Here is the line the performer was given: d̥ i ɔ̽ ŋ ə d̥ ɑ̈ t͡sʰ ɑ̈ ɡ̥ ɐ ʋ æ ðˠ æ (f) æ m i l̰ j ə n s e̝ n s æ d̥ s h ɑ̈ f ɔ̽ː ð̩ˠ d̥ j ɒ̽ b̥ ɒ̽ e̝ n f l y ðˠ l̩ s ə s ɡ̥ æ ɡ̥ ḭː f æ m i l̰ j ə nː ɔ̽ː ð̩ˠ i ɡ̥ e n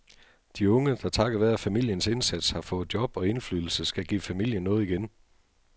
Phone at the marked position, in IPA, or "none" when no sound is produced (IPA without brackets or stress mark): f